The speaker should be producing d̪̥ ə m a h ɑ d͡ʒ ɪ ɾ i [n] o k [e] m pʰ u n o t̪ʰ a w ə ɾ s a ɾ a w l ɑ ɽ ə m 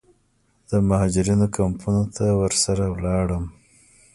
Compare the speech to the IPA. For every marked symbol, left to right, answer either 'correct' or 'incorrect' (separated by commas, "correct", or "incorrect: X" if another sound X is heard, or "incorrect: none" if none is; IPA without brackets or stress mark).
correct, incorrect: a